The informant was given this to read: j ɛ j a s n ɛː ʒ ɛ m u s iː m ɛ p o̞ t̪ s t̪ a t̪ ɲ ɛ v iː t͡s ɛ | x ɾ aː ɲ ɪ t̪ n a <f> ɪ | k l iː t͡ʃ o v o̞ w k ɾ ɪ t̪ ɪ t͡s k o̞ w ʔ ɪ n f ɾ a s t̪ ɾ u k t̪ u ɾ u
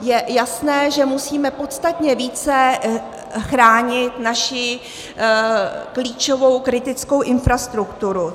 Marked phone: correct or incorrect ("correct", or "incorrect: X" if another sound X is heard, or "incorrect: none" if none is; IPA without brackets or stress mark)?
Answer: incorrect: ʃ